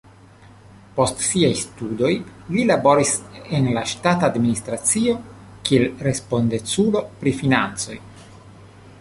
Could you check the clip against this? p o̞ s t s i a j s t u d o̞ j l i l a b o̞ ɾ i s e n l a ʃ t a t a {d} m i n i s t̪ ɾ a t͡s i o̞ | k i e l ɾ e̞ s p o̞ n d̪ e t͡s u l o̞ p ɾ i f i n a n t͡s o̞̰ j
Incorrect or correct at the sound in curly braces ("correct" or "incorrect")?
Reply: correct